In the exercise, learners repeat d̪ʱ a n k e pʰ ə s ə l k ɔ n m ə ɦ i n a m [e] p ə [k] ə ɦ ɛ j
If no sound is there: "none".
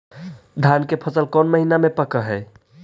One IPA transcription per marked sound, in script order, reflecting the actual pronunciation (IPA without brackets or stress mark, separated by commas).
e, k